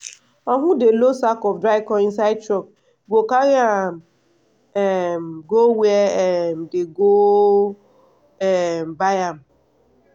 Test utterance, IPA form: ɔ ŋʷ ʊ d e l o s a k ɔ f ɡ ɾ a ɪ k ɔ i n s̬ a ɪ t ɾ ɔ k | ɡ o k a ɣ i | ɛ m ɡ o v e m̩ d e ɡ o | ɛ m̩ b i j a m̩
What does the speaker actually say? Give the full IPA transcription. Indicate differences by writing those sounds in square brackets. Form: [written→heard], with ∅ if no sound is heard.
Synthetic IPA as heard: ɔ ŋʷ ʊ d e l o s a k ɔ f [ɡ→d] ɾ a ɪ k ɔ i n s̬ a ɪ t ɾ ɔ k | ɡ o k a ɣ [i→a] | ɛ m ɡ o [v→w] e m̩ d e ɡ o | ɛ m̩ b [i→a] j a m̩